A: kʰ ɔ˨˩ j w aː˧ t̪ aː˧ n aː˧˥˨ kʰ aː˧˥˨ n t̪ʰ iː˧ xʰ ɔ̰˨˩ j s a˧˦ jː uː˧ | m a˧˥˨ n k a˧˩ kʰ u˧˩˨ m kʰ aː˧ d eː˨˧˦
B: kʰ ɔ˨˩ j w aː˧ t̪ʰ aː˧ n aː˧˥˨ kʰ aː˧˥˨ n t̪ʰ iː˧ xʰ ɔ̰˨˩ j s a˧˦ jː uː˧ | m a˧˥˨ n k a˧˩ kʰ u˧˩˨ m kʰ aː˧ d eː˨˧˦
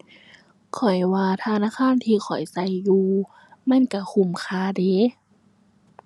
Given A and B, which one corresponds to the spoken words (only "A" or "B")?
B